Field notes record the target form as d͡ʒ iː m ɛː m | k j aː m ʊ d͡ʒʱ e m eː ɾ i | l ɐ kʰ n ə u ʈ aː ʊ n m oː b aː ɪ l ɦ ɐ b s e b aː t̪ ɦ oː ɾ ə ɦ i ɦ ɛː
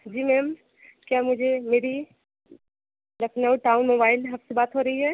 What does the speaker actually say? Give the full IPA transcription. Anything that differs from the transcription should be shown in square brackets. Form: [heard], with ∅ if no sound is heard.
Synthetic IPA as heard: d͡ʒ iː m ɛː m | k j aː m ʊ d͡ʒʱ e m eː ɾ i | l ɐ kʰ n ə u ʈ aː ʊ n m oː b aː ɪ l ɦ ɐ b s e b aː t̪ ɦ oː ɾ [ɐ] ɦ i ɦ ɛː